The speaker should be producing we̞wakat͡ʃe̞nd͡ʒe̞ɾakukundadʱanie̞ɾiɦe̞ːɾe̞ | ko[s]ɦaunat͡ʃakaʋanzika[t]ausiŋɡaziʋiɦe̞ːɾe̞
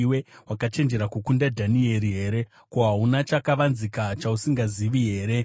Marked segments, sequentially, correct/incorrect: incorrect, incorrect

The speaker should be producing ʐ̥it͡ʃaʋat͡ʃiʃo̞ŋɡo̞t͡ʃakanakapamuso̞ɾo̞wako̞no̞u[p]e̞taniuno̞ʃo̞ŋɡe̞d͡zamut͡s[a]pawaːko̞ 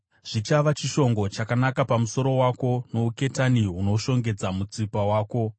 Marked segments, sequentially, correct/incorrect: incorrect, incorrect

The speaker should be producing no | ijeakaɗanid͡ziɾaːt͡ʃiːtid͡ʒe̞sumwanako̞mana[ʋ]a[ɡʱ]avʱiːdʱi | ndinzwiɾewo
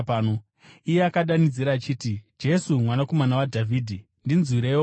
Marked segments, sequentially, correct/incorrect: incorrect, incorrect

